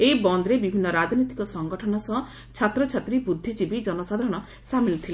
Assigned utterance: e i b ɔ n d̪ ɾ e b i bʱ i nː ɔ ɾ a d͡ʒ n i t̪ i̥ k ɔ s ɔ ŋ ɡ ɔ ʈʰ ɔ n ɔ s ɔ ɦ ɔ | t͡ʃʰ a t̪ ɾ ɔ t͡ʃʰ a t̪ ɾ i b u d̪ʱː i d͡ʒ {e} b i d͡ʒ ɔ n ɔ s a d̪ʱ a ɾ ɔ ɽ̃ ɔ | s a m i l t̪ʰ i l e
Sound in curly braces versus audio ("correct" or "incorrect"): incorrect